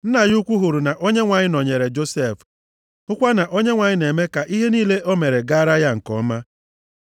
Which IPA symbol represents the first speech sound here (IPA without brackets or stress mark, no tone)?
n̩